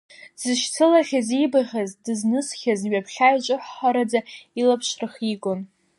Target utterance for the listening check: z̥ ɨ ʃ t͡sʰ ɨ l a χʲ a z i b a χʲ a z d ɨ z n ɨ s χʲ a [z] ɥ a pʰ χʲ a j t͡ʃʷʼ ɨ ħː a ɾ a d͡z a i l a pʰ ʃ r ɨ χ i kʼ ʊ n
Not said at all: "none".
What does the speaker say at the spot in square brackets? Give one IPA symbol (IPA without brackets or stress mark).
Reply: z